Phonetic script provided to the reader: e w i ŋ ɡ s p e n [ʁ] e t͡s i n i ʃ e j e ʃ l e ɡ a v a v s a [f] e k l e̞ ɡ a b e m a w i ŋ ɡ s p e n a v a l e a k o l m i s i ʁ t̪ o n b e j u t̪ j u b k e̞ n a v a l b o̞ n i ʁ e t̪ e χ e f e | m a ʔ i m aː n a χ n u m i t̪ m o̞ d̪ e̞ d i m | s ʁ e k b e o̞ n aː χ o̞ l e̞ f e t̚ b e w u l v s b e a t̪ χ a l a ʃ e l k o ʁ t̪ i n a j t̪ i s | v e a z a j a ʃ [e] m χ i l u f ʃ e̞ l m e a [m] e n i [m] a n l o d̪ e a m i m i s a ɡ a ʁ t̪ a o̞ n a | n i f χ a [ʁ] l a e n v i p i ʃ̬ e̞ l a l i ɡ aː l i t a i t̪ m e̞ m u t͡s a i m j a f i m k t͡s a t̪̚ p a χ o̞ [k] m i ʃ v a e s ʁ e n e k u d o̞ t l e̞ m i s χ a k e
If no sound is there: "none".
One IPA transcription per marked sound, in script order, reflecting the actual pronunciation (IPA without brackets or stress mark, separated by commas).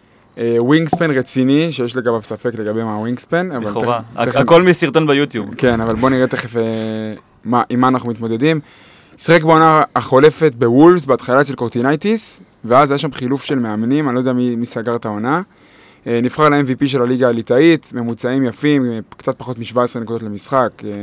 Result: ʁ, f, a, m, m, ʁ, t